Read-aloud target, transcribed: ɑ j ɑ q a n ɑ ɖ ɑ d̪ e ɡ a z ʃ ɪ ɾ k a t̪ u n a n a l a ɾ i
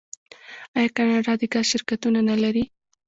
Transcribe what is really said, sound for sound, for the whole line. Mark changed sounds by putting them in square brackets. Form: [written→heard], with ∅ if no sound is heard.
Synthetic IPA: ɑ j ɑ [q→k] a n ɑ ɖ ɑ d̪ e ɡ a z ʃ ɪ ɾ k a t̪ u n a n a l a ɾ i